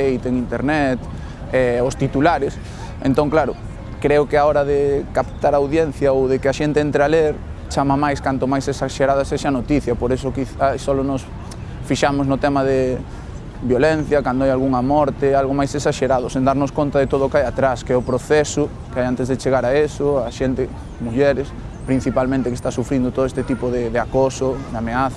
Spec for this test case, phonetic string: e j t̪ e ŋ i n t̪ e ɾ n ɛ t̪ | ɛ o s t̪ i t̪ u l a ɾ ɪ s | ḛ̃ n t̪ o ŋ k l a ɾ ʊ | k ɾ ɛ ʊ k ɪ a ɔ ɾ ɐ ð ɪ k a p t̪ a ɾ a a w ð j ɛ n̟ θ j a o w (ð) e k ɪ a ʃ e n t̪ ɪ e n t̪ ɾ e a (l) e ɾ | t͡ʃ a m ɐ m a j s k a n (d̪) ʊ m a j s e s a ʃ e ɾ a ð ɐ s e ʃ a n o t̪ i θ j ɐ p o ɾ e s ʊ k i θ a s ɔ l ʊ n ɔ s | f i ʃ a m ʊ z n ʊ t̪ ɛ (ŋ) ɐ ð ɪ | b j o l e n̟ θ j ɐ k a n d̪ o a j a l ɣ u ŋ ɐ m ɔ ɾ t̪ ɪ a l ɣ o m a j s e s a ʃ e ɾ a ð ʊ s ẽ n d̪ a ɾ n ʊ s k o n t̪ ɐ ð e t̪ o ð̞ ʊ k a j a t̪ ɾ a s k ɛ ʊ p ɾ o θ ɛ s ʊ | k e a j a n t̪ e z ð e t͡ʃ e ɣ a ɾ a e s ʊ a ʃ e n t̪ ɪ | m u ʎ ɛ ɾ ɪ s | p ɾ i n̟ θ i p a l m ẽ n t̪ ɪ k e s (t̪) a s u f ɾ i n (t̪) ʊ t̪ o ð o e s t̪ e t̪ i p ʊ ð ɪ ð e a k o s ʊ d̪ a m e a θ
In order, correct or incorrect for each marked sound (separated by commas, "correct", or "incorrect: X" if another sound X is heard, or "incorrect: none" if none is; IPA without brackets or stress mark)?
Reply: correct, correct, incorrect: t̪, incorrect: m, correct, incorrect: d̪